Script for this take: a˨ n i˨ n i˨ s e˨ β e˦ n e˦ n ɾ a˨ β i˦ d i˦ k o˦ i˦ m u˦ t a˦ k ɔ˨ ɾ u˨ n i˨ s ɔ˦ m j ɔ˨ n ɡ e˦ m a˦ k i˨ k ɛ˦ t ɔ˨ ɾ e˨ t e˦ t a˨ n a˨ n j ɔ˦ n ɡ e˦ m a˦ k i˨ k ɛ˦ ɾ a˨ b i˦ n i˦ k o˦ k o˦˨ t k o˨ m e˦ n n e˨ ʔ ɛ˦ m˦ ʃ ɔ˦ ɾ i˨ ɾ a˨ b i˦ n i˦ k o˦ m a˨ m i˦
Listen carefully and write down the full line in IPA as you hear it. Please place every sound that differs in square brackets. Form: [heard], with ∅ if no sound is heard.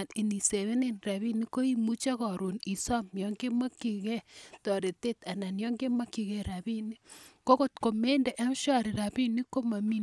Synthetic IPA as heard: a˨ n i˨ n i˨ s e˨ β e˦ n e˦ n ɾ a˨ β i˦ [n] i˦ k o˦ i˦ m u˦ [t͡ʃ] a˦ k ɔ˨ ɾ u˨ n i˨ s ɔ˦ m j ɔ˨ [ŋ] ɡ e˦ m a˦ k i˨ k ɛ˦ t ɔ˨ ɾ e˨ t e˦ t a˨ n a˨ n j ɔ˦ [ŋ] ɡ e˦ m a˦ k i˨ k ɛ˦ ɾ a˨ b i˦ n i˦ k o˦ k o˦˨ t k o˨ m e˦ n [d] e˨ ʔ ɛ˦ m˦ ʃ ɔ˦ ɾ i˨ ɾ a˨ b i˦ n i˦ k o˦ m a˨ m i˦

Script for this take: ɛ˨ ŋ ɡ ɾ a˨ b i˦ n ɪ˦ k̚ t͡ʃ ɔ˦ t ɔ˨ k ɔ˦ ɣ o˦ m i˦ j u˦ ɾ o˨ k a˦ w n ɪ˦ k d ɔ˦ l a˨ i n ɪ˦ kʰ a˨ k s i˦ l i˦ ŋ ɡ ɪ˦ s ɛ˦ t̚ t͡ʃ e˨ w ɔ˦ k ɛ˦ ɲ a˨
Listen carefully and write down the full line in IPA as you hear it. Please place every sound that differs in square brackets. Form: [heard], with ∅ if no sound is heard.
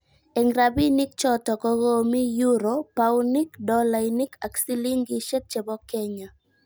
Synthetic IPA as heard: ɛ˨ ŋ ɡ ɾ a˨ b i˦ n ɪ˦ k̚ t͡ʃ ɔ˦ t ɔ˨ k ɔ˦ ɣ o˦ m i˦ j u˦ ɾ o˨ [p] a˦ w n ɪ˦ k d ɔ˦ l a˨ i n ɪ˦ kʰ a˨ k s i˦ l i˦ ŋ ɡ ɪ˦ [ʃ] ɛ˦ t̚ t͡ʃ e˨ [b] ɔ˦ k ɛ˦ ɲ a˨

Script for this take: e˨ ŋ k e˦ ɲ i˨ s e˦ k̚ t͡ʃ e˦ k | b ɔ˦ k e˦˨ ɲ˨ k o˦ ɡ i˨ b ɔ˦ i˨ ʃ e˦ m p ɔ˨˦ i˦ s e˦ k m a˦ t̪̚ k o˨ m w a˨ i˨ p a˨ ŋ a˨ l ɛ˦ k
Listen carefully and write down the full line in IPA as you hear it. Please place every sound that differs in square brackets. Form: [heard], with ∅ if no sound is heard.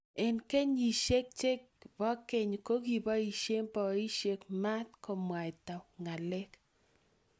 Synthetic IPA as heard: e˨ [n] k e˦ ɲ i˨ [ʃ] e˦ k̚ t͡ʃ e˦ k | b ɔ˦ k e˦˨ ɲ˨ k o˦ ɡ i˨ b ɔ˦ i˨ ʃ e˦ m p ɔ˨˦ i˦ [ʃ] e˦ k m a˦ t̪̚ k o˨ m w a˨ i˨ [t] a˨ ŋ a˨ l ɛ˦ k

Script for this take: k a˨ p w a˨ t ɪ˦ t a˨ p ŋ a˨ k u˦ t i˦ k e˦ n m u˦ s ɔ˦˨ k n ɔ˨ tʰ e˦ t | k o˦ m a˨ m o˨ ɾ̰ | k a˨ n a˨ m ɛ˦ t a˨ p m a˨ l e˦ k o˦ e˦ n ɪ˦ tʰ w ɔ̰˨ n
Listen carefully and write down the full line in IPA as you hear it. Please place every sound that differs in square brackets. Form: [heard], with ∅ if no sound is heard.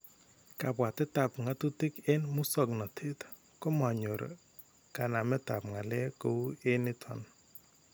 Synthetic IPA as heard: k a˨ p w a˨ t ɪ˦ t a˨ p ŋ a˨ [t] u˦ t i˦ k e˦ n m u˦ s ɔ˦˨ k n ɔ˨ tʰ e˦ t | k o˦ m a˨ [ɲ] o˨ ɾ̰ | k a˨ n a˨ m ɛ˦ t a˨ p [ŋ] a˨ l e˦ k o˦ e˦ n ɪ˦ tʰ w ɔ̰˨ n

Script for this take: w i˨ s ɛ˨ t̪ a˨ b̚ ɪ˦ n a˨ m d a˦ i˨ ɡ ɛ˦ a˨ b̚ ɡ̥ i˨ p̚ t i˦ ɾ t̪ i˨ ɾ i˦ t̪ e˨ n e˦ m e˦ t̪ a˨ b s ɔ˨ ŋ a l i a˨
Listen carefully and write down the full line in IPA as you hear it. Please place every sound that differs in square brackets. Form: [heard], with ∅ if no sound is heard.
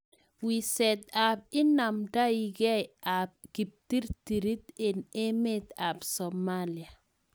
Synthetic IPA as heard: w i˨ s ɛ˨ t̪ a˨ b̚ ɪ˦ n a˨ m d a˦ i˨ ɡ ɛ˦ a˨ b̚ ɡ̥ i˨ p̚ t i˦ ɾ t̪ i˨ ɾ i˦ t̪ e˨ n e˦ m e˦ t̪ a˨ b s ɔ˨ [m] a l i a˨

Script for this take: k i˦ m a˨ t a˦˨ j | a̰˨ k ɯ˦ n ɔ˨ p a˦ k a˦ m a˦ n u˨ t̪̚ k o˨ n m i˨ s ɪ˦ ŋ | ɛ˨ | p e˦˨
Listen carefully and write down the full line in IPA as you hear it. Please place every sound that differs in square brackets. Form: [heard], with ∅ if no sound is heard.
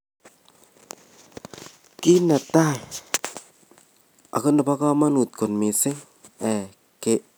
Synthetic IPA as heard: k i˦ [n] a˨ t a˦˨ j | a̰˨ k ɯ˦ n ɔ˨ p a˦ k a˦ m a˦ n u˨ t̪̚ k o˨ n m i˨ s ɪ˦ ŋ | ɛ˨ | [k] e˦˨

